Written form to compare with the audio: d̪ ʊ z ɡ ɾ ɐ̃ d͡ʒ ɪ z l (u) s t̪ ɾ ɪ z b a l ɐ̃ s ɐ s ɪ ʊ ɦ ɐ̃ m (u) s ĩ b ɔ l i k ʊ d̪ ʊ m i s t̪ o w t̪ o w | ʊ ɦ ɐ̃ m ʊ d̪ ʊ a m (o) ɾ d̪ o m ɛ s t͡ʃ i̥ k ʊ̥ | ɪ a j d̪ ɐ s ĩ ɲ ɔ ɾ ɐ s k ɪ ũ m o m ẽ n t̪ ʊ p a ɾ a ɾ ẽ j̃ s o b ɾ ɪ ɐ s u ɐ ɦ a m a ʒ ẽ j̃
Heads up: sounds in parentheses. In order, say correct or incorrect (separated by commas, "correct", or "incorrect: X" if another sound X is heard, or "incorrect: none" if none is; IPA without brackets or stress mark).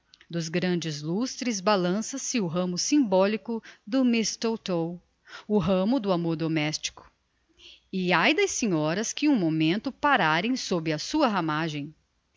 correct, incorrect: ʊ, correct